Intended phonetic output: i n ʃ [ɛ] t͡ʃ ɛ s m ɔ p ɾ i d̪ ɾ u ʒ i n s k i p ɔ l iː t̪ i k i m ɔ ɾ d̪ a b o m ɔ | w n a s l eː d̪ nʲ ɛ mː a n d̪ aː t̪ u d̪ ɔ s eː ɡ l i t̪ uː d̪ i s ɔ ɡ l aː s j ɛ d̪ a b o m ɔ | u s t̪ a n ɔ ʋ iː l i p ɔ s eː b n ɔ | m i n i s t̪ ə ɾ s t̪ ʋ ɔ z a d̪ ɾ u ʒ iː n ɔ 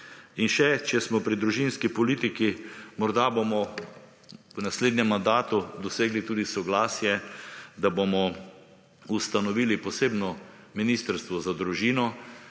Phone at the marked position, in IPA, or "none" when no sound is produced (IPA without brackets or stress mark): ɛ